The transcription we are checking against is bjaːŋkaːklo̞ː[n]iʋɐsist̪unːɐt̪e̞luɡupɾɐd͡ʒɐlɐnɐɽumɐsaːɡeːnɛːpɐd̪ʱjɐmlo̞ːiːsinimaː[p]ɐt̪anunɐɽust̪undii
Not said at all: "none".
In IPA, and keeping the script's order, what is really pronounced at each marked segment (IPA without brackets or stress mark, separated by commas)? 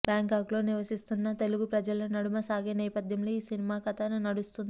n, k